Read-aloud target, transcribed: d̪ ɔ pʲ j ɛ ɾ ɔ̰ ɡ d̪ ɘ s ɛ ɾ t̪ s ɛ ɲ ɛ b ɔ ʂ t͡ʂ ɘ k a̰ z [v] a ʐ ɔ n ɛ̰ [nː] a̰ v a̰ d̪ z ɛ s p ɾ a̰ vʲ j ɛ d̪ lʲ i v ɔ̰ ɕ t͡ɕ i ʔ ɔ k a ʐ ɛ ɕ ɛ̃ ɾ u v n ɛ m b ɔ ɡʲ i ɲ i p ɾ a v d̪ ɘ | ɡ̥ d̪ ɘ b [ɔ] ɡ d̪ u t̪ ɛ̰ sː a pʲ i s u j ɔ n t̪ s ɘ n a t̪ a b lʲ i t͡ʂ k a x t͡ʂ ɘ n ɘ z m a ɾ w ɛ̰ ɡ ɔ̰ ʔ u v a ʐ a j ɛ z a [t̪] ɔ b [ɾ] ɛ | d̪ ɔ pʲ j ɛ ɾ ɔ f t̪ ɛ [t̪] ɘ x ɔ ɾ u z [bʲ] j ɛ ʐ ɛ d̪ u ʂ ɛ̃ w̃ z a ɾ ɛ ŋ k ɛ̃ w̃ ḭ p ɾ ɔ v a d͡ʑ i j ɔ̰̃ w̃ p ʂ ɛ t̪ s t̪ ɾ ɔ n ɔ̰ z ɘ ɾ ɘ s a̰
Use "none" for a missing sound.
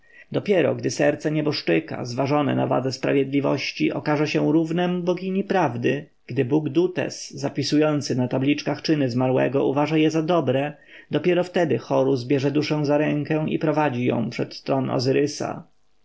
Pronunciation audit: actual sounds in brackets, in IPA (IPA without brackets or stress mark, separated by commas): v, n, u, d̪, ɾ, d̪, bʲ